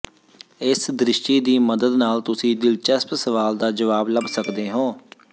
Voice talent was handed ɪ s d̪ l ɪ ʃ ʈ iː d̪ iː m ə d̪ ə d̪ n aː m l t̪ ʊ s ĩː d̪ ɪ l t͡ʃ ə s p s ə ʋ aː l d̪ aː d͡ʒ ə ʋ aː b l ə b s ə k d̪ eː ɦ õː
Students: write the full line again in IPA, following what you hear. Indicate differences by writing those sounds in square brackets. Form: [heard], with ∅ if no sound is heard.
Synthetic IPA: ɪ s d̪ [ɾ] ɪ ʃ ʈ iː d̪ iː m ə d̪ ə d̪ n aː [∅] l t̪ ʊ s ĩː d̪ ɪ l t͡ʃ ə s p s ə ʋ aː l d̪ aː d͡ʒ ə ʋ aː b l ə b s ə k d̪ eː ɦ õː